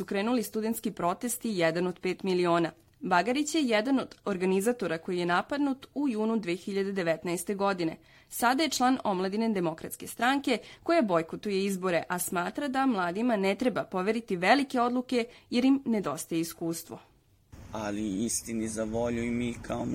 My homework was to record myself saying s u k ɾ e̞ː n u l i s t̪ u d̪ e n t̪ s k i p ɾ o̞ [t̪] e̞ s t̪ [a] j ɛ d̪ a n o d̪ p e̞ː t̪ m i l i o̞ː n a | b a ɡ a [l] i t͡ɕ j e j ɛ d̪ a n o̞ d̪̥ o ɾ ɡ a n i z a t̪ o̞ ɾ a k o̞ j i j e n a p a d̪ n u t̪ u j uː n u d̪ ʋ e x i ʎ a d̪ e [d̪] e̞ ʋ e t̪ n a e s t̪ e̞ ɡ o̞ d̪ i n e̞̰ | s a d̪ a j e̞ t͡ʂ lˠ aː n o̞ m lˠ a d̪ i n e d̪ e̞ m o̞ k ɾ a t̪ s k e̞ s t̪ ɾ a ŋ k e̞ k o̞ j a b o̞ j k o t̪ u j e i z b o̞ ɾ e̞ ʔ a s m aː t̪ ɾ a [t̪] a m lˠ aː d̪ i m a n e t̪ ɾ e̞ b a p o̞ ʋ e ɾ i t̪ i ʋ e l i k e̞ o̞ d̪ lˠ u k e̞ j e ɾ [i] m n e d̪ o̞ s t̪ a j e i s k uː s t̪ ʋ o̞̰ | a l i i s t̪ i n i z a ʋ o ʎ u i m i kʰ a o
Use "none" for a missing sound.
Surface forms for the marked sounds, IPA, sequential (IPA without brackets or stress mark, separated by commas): t̪, i, ɾ, d̪, d̪, i